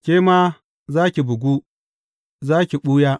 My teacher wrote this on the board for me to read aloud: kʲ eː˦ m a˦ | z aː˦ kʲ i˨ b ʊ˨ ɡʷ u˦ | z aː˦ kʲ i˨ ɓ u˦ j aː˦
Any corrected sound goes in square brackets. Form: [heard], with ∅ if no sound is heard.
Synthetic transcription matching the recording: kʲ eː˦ m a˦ | z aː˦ kʲ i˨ b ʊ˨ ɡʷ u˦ | z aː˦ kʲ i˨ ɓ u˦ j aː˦

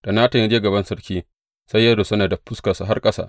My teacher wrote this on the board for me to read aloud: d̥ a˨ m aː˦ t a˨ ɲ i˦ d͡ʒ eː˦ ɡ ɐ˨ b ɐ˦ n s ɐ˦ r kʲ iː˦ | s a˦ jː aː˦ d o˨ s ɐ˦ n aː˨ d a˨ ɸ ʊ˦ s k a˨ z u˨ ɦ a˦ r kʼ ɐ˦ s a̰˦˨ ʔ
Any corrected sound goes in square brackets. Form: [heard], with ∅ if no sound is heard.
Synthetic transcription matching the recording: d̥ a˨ [n] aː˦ t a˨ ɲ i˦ d͡ʒ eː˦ ɡ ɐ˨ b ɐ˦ n s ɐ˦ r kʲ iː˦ | s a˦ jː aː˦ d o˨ s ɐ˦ n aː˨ d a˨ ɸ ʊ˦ s k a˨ [s] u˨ ɦ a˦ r kʼ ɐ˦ s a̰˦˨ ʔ

